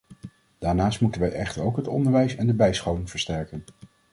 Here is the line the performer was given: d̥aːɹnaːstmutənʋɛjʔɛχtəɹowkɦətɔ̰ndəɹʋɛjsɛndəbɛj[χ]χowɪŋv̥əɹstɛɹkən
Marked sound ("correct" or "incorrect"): incorrect